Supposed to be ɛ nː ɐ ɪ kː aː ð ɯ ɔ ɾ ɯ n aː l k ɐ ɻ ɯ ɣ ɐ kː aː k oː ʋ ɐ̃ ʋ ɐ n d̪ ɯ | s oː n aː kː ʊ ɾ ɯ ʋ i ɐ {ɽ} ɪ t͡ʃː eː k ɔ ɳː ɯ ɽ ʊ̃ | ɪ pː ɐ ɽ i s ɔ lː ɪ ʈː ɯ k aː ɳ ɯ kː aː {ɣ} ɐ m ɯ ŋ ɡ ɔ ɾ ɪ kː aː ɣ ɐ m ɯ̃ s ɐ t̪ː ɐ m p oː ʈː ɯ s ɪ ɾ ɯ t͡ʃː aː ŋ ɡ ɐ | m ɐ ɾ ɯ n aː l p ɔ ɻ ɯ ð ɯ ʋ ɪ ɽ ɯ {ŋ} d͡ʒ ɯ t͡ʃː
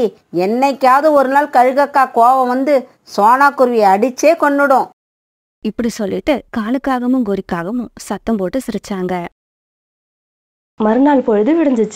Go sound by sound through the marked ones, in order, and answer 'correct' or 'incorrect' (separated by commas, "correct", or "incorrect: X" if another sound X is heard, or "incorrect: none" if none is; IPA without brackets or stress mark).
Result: correct, correct, incorrect: ɲ